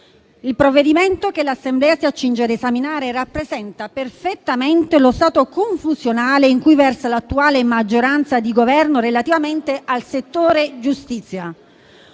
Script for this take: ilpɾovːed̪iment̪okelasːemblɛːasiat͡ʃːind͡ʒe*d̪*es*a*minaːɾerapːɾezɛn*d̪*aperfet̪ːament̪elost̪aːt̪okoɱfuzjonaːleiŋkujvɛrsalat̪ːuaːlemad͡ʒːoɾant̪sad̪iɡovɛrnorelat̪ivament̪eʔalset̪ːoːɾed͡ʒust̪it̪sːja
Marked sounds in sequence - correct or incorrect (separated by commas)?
correct, correct, incorrect